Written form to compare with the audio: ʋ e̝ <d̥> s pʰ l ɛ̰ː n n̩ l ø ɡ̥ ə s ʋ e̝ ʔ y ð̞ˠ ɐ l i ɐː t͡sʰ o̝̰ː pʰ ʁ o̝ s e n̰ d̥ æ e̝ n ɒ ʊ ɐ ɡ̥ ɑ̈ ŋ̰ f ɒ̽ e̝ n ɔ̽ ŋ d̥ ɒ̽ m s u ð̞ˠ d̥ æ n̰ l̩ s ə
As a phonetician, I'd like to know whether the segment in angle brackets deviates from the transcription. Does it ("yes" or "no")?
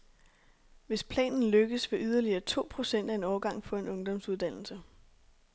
yes